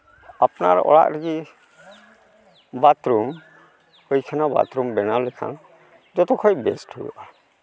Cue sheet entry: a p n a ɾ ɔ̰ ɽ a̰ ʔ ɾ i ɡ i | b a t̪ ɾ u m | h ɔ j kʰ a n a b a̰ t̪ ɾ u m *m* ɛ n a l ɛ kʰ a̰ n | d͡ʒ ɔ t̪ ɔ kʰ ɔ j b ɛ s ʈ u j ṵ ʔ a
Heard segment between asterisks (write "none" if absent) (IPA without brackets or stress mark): b